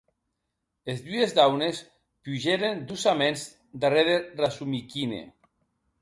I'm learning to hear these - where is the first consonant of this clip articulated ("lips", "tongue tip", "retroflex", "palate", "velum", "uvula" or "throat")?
tongue tip